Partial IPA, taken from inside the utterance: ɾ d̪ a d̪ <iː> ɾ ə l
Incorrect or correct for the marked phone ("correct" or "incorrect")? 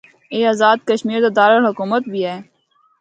incorrect